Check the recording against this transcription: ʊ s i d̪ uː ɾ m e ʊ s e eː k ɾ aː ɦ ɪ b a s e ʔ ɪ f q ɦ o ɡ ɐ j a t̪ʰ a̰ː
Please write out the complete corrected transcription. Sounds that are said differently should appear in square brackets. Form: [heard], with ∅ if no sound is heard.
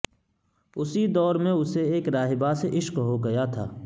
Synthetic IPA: ʊ s i d̪ [ɔː] ɾ m [ẽ] ʊ s e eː k ɾ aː ɦ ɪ b a s e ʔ ɪ [ʃ] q ɦ o ɡ ɐ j a t̪ʰ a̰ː